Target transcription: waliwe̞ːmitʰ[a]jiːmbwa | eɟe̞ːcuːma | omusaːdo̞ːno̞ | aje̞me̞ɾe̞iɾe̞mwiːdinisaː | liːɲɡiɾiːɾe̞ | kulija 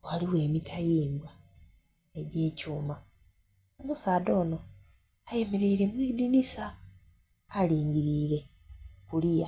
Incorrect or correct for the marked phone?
correct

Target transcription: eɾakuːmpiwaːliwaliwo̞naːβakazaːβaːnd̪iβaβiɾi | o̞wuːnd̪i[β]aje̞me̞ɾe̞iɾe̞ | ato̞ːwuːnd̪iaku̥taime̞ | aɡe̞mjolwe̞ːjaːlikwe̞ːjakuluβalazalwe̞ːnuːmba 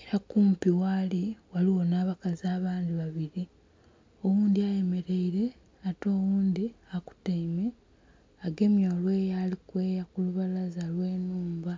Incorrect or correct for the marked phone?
incorrect: none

